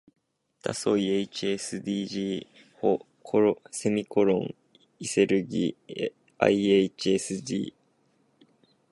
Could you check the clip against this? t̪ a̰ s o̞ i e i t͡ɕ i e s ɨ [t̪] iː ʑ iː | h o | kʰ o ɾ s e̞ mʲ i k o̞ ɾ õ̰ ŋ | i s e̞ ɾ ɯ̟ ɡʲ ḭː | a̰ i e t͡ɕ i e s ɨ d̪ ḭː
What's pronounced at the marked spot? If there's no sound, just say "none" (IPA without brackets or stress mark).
d̪